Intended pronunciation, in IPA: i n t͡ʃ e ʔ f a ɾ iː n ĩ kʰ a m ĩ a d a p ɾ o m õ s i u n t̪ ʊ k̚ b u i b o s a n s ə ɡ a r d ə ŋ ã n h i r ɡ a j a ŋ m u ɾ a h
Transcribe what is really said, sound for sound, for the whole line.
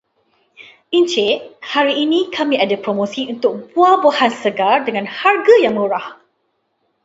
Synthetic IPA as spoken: i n t͡ʃ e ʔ h a ɾ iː n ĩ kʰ a m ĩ a d a p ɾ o m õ s i u n t̪ ʊ k̚ b u a b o h a n s ə ɡ a r d ə ŋ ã n h a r ɡ a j a ŋ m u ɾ a h